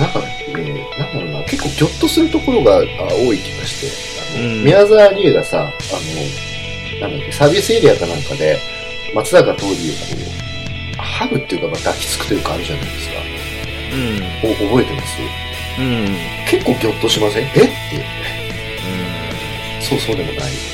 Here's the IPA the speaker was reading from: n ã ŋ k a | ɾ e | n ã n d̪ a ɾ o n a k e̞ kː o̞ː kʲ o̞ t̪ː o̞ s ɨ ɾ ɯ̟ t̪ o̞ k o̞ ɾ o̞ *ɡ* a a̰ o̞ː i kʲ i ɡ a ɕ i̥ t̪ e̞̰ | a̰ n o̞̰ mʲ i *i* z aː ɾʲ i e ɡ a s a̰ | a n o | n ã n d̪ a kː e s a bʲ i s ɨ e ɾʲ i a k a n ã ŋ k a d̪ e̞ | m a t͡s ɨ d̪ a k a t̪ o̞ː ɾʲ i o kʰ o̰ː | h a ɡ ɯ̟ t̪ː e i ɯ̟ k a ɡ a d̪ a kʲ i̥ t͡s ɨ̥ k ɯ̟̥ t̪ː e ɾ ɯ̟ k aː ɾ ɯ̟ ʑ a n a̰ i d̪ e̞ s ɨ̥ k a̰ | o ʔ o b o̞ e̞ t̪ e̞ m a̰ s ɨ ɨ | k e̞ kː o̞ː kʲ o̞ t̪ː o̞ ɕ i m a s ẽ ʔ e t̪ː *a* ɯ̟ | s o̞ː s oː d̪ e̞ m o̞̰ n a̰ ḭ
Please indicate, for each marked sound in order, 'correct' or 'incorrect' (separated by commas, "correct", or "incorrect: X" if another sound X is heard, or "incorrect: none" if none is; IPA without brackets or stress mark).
correct, incorrect: a, incorrect: e